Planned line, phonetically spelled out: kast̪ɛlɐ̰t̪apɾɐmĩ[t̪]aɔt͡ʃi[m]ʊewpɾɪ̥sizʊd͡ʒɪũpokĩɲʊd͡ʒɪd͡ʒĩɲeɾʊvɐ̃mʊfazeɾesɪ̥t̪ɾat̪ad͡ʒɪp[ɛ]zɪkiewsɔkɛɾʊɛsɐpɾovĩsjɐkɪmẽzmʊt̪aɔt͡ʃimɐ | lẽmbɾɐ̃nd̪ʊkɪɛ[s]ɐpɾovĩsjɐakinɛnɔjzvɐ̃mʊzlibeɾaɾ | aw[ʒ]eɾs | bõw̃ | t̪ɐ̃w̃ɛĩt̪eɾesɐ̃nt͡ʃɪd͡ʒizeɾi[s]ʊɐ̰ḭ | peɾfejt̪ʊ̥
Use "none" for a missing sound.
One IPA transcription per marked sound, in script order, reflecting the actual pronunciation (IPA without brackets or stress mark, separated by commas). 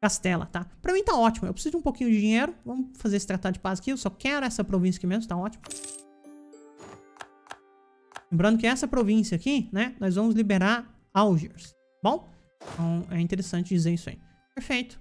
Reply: t̪, m, a, s, ʒ, s